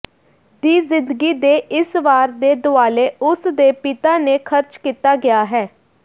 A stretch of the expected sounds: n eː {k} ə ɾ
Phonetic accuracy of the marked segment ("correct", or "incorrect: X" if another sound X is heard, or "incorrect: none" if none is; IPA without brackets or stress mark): incorrect: kʰ